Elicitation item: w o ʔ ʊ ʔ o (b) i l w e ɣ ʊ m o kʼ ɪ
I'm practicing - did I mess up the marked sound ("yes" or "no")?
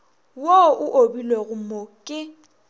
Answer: no